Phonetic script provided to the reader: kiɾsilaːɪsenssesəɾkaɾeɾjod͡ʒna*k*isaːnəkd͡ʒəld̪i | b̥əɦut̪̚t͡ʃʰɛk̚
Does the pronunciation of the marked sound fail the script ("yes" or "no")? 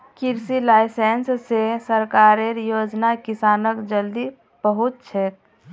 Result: no